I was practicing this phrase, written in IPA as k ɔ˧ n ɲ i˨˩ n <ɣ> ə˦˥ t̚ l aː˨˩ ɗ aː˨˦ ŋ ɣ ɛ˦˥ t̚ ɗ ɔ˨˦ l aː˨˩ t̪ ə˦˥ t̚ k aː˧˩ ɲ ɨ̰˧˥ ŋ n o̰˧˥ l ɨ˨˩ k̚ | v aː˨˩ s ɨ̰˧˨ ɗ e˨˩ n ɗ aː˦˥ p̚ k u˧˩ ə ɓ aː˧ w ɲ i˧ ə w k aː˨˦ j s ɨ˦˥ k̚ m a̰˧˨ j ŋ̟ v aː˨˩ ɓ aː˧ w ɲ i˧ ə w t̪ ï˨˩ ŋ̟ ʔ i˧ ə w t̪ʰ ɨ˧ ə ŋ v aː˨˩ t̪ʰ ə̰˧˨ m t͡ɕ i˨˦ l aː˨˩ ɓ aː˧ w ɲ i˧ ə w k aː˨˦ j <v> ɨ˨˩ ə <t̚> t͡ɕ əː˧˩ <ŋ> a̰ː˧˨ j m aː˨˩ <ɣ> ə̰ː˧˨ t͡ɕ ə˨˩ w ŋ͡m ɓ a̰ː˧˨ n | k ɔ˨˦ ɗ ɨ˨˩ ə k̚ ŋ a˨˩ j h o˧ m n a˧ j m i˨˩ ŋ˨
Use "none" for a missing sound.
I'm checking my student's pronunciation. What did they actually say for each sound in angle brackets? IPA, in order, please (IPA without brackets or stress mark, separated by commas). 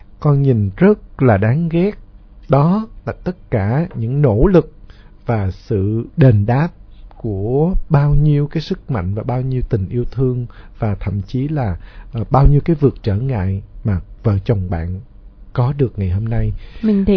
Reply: z, v, k̚, ŋ, v